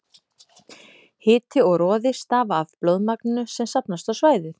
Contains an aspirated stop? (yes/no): no